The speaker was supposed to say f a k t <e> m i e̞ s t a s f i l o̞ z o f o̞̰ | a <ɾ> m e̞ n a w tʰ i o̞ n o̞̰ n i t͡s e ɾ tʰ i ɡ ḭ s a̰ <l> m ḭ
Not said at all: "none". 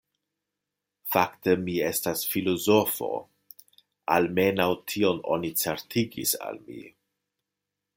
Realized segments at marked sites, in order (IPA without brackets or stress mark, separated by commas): e, l, l